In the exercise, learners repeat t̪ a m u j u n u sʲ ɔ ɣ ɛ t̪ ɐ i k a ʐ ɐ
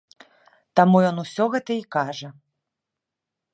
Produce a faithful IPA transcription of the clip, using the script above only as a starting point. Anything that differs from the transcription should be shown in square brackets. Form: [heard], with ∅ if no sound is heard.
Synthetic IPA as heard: t̪ a m u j [ɔ] n u sʲ ɔ ɣ ɛ t̪ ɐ i k a ʐ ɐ

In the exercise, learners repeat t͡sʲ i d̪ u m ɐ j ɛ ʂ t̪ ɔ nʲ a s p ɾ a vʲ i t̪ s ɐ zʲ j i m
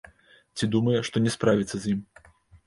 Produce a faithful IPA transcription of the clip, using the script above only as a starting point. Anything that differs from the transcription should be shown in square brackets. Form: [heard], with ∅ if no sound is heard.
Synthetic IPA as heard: t͡sʲ i d̪ u m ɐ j ɛ ʂ t̪ ɔ nʲ [ɛ] s p ɾ a vʲ i t̪ s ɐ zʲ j i m

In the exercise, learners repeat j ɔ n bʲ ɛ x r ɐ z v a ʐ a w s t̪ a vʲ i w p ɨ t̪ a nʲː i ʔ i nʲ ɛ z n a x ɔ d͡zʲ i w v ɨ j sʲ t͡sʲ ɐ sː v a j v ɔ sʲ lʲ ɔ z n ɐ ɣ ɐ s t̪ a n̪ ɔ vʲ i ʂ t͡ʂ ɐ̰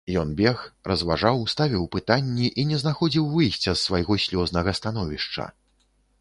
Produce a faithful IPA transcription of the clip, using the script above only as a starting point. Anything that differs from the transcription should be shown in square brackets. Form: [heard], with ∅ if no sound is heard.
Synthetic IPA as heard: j ɔ n bʲ ɛ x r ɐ z v a ʐ a w s t̪ a vʲ i w p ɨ t̪ a nʲː i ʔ i nʲ ɛ z n a x ɔ d͡zʲ i w v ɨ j sʲ t͡sʲ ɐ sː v a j [ɣ] ɔ sʲ lʲ ɔ z n ɐ ɣ ɐ s t̪ a n̪ ɔ vʲ i ʂ t͡ʂ ɐ̰

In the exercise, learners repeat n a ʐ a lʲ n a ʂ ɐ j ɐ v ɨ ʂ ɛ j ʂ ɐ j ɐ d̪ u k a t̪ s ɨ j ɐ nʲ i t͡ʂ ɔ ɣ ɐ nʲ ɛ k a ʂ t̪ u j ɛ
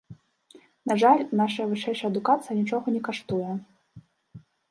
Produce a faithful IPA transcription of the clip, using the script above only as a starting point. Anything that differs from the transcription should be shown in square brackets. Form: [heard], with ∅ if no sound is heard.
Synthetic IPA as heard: n a ʐ a lʲ n a ʂ ɐ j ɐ v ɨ ʂ ɛ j ʂ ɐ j ɐ d̪ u k a t̪ s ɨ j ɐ nʲ i t͡ʂ ɔ ɣ ɐ nʲ ɛ k a ʂ t̪ u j ɛ

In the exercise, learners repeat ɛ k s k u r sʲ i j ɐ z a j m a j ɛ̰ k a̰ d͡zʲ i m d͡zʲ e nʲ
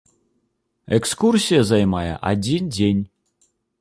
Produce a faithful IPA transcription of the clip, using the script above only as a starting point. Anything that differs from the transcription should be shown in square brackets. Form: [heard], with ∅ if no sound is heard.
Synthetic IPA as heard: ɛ k s k u r sʲ i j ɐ z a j m a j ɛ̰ [ʔ] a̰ d͡zʲ i [n] d͡zʲ e nʲ

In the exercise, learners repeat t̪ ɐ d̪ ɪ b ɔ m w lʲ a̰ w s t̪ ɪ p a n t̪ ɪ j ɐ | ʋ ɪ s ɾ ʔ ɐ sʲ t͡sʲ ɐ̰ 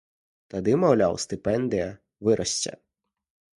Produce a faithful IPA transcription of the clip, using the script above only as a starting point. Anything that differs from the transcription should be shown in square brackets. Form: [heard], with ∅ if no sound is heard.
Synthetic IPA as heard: t̪ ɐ d̪ ɪ [m] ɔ [∅] w lʲ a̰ w s t̪ ɪ p [ɛ] n [d̪] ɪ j ɐ | ʋ ɪ [∅] ɾ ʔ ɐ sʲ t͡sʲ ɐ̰

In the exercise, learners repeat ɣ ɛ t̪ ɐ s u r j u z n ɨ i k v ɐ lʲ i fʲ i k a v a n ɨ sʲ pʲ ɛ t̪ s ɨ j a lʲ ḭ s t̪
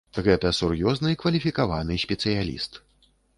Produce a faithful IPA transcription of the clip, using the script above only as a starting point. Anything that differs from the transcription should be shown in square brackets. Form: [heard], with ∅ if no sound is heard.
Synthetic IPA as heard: ɣ ɛ t̪ ɐ s u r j [ɔ] z n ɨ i k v ɐ lʲ i fʲ i k a v a n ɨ sʲ pʲ ɛ t̪ s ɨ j a lʲ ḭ s t̪

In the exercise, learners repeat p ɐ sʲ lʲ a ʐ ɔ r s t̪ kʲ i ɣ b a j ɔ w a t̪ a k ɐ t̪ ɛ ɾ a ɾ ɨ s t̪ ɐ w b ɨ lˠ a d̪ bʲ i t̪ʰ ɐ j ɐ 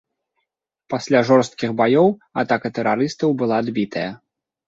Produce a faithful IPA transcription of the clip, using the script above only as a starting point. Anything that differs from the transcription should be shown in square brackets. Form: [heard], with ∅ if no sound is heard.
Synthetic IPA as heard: p [a] sʲ lʲ a ʐ ɔ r s t̪ kʲ i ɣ b a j ɔ w a t̪ a k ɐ t̪ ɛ ɾ a ɾ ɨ s t̪ ɐ w b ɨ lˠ a d̪ bʲ i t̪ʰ ɐ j ɐ

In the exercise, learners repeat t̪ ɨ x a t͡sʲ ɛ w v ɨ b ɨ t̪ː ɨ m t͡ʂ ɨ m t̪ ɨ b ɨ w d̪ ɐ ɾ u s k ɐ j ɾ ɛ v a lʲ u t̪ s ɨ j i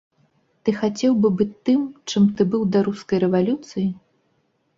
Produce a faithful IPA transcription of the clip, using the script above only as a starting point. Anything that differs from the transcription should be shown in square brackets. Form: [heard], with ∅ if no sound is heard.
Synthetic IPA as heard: t̪ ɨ x a t͡sʲ ɛ w [b] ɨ b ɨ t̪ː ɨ m t͡ʂ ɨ m t̪ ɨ b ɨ w d̪ ɐ ɾ u s k ɐ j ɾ ɛ v a lʲ u t̪ s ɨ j i

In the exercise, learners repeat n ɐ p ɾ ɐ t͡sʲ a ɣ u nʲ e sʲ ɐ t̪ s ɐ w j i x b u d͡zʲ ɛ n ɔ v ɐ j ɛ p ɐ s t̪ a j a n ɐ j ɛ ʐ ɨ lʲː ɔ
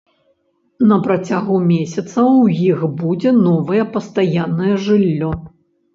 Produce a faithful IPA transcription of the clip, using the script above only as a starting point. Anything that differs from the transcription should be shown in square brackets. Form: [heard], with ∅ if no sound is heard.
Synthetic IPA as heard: n ɐ p ɾ ɐ t͡sʲ a ɣ u [mʲ] e sʲ ɐ t̪ s ɐ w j i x b u d͡zʲ ɛ n ɔ v ɐ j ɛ p ɐ s t̪ a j a [nː] ɐ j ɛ ʐ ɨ lʲː ɔ

